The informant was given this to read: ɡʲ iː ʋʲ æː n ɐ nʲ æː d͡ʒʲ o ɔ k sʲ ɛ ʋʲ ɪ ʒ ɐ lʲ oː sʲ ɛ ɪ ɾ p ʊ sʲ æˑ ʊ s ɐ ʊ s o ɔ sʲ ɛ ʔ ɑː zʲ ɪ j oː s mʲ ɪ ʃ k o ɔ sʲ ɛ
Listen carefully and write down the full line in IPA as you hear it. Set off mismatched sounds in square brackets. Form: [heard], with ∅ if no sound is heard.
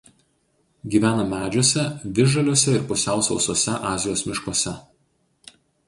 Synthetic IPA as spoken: ɡʲ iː ʋʲ æː n ɐ [mʲ] æː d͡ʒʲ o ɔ [∅] sʲ ɛ ʋʲ ɪ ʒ ɐ lʲ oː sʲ ɛ ɪ ɾ p ʊ sʲ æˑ ʊ s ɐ ʊ s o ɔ sʲ ɛ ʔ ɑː zʲ ɪ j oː s mʲ ɪ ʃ k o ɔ sʲ ɛ